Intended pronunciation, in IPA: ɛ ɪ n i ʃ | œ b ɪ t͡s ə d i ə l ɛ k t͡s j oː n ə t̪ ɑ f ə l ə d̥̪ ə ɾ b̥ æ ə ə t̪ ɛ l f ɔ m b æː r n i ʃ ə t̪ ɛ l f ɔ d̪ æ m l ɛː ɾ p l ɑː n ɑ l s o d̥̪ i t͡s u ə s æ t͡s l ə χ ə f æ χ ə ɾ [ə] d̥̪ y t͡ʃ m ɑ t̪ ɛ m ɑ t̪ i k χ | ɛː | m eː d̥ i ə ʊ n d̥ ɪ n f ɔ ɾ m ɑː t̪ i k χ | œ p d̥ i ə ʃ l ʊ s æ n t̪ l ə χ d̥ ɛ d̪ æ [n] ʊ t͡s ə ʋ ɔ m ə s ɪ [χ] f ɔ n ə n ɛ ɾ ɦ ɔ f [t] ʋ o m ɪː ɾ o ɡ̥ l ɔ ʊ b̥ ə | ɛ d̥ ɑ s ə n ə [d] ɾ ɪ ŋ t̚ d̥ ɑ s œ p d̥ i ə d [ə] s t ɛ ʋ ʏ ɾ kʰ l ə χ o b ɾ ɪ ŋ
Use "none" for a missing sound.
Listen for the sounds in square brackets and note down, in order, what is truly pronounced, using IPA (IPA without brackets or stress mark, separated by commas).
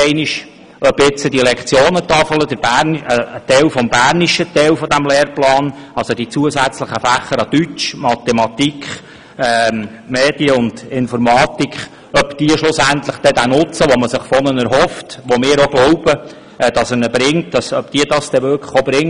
ɑ, n, χ, t, b, ɑ